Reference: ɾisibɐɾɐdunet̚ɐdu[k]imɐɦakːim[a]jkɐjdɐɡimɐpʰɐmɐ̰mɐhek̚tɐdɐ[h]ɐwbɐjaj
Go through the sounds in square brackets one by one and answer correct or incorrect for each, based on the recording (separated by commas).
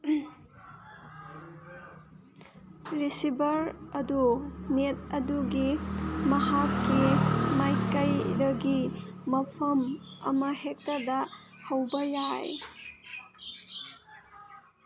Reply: incorrect, correct, correct